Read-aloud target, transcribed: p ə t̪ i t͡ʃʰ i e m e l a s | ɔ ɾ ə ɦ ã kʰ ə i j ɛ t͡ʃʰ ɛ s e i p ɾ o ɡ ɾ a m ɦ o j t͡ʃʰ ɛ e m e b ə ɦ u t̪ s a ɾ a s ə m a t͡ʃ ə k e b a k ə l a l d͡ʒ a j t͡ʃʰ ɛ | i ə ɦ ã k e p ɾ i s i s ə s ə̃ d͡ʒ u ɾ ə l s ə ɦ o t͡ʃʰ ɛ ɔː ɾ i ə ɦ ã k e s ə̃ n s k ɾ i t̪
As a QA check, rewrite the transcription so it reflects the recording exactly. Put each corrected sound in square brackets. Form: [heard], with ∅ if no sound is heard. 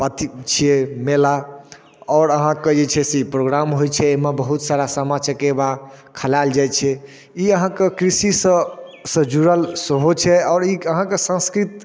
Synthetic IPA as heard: p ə t̪ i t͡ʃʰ i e m e l a [∅] | ɔ ɾ ə ɦ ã [k] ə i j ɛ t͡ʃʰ ɛ s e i p ɾ o ɡ ɾ a m ɦ o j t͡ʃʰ ɛ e m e b ə ɦ u t̪ s a ɾ a s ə m a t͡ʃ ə k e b a [kʰ] ə l a l d͡ʒ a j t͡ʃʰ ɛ | i ə ɦ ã k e [k] ɾ i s i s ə s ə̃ d͡ʒ u ɾ ə l s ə ɦ o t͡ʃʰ ɛ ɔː ɾ i ə ɦ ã k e s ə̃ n s k ɾ i t̪